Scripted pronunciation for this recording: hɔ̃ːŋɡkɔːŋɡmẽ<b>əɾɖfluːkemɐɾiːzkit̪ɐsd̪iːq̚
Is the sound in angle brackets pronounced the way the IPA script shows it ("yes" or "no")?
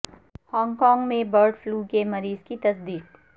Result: yes